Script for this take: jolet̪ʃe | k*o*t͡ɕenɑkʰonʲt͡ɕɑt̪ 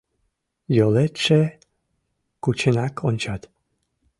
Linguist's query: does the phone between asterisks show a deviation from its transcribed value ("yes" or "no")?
yes